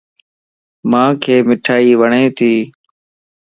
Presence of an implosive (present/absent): absent